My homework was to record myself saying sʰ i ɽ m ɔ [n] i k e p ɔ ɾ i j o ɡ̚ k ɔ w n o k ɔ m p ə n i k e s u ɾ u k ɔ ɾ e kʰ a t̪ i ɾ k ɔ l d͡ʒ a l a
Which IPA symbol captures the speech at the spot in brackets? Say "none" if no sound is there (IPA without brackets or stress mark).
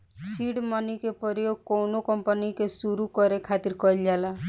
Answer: n